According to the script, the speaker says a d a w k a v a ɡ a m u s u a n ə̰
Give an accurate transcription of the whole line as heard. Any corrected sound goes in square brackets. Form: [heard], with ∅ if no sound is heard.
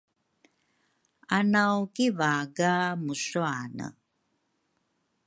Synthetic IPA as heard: a [n] a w k [i] v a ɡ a m u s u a n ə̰

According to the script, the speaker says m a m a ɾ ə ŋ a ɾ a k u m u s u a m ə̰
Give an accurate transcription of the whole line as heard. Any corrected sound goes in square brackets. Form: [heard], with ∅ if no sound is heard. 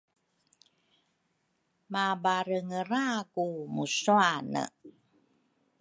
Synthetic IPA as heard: m a [b] a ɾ ə ŋ [ə] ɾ a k u m u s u a [n] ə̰

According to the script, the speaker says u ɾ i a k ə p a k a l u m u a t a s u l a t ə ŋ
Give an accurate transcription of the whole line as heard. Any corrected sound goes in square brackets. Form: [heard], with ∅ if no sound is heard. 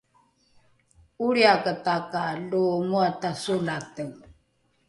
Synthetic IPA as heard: u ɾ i a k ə [t] a k a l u m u a t a s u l a t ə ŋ

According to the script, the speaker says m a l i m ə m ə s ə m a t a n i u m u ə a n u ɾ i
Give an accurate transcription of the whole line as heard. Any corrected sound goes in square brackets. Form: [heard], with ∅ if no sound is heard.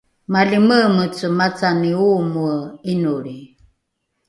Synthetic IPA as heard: m a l i m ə m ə [t͡s] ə m a [t͡s] a n i u m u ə [i] n u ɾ i

